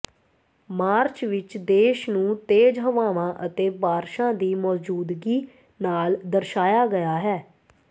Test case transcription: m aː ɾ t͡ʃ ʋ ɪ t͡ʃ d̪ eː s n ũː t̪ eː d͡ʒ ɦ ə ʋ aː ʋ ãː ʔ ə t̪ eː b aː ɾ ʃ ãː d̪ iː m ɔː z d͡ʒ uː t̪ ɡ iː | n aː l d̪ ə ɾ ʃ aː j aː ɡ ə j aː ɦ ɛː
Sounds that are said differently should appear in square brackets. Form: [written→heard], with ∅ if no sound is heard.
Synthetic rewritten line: m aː ɾ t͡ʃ ʋ ɪ t͡ʃ d̪ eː [s→ʃ] n ũː t̪ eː d͡ʒ ɦ ə ʋ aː ʋ ãː ʔ ə t̪ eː b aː ɾ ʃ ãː d̪ iː m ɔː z d͡ʒ uː [t̪→d̪] ɡ iː | n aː l d̪ ə ɾ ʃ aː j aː ɡ ə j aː ɦ ɛː